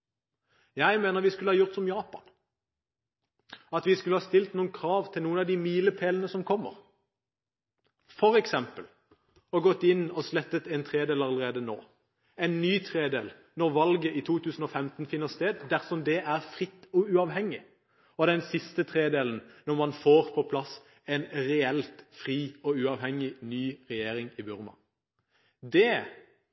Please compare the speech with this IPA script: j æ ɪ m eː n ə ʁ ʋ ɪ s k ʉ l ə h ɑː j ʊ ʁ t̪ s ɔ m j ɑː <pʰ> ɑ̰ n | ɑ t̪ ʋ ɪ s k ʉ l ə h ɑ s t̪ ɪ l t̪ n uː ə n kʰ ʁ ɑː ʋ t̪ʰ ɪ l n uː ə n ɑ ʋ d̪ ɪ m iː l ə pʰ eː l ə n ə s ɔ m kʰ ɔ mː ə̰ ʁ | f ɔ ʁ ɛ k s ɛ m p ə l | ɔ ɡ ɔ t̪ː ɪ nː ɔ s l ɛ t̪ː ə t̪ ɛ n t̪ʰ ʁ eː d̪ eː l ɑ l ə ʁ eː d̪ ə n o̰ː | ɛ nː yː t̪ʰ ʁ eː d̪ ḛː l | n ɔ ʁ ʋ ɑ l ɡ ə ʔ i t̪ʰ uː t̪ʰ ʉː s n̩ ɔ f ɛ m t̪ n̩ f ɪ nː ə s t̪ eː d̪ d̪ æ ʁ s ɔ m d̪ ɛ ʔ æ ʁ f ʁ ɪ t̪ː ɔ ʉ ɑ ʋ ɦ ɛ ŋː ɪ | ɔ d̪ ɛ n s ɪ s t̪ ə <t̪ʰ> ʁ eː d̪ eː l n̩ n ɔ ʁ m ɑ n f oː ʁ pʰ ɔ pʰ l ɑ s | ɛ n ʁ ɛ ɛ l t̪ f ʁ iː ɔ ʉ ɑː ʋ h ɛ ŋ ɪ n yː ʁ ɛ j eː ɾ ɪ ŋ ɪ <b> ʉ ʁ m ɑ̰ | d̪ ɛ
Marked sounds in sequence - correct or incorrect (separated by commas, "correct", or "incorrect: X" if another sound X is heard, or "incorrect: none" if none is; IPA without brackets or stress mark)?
incorrect: p, correct, correct